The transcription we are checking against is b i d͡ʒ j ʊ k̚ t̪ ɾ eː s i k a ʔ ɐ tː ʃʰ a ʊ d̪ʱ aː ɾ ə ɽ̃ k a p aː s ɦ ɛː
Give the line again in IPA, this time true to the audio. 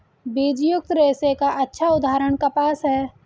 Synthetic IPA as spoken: b i d͡ʒ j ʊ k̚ t̪ ɾ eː s e k a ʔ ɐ tː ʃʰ a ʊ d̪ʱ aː ɾ ə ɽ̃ k a p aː s ɦ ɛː

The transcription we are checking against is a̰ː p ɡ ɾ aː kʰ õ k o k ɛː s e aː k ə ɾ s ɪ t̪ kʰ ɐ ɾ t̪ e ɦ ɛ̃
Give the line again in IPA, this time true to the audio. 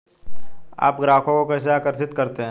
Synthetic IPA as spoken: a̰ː p ɡ ɾ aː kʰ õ k o k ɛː s e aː k ə ɾ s ɪ t̪ k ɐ ɾ t̪ e ɦ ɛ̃

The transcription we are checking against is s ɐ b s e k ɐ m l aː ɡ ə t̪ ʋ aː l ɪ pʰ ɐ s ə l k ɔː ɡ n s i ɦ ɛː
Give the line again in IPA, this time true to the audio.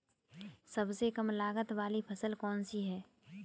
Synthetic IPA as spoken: s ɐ b s e k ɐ m l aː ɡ ə t̪ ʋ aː l i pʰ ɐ s ə l k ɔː n s i ɦ ɛː

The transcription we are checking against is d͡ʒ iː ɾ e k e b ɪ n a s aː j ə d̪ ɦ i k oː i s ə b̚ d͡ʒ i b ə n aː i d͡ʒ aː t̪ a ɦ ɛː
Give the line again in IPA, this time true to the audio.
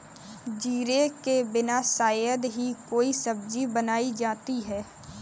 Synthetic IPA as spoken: d͡ʒ iː ɾ e k e b ɪ n a s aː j ə d̪ ɦ i k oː i s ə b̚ d͡ʒ i b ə n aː i d͡ʒ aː t̪ i ɦ ɛː

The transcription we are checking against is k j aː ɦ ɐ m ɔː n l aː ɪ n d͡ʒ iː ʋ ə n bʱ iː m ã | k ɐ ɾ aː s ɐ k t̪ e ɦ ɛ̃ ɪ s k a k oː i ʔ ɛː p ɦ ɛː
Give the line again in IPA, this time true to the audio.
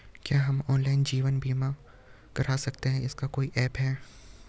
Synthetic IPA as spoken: k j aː ɦ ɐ m ɔː n l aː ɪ n d͡ʒ iː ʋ ə n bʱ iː m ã | k ɐ ɾ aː s ɐ k t̪ e ɦ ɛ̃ ɪ s k a k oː i ʔ ɛː p ɦ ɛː

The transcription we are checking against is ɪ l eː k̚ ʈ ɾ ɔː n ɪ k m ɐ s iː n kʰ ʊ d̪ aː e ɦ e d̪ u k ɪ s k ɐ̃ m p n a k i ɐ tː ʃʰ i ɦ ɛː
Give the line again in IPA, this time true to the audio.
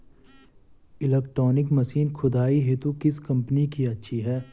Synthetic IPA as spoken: ɪ l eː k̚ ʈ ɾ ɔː n ɪ k m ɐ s iː n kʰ ʊ d̪ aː i ɦ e t̪ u k ɪ s k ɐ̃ m p n i k i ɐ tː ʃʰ i ɦ ɛː

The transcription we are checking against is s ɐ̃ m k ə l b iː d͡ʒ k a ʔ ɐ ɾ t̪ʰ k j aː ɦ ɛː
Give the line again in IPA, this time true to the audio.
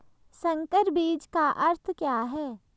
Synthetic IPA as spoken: s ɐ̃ ŋ k ə ɾ b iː d͡ʒ k a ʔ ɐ ɾ t̪ʰ k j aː ɦ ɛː

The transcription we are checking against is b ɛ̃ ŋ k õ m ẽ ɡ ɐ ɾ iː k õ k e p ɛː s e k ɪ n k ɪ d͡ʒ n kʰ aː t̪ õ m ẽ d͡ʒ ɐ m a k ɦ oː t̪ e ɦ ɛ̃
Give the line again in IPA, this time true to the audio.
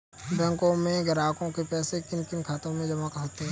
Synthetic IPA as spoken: b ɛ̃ ŋ k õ m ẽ ɡ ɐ ɾ aː k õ k e p ɛː s e k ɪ n k ɪ n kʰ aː t̪ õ m ẽ d͡ʒ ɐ m a k ɦ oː t̪ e ɦ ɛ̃

